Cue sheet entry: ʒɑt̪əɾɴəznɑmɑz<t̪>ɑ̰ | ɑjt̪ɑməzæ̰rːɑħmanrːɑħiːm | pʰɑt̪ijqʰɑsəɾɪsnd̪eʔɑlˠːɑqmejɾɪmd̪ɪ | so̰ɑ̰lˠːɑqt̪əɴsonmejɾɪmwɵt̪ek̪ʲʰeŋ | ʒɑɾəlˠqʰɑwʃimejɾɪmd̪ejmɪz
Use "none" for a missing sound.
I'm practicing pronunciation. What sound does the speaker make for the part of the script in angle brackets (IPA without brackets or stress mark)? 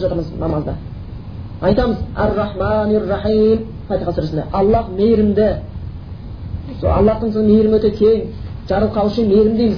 d̪